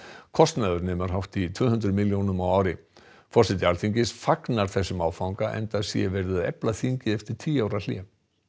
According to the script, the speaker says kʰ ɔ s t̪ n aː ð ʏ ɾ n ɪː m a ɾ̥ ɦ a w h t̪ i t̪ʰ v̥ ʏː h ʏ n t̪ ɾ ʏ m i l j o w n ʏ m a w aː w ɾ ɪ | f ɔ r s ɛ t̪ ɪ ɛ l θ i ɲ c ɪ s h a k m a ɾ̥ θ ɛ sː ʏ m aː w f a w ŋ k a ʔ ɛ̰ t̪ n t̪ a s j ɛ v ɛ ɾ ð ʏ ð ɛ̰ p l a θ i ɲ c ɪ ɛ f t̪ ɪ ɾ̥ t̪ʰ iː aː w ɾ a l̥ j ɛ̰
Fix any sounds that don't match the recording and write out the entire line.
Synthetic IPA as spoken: kʰ ɔ s t̪ n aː ð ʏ ɾ n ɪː m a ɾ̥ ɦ a w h t̪ i t̪ʰ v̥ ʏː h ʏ n t̪ ɾ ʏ m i l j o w n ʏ m a w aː w ɾ ɪ | f ɔ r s ɛ t̪ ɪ a l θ i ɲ c ɪ s f a k n a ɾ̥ θ ɛ sː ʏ m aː w f a w ŋ k a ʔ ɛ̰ n t̪ a s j ɛ v ɛ ɾ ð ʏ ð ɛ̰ p l a θ i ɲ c ɪ ɛ f t̪ ɪ ɾ̥ t̪ʰ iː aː w ɾ a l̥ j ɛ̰